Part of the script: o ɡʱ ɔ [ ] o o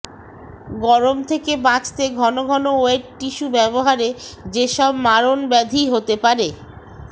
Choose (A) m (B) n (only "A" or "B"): B